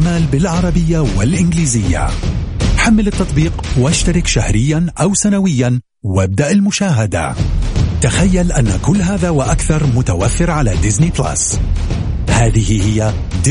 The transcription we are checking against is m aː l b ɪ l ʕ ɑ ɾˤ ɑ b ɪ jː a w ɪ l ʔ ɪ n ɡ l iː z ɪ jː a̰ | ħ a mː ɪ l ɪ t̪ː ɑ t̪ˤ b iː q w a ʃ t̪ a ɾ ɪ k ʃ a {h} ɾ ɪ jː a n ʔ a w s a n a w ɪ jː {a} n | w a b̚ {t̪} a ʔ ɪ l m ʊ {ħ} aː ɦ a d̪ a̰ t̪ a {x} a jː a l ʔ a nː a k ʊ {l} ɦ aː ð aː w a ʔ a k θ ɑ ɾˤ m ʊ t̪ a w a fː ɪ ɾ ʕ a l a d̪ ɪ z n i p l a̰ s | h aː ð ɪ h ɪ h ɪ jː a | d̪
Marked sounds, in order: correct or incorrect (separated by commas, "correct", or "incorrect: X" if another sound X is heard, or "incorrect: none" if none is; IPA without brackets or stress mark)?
correct, correct, incorrect: d̪, incorrect: ʃ, correct, incorrect: lː